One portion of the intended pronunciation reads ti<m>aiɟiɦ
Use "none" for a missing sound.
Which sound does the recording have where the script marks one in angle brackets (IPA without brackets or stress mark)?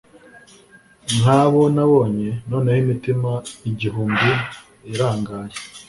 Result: m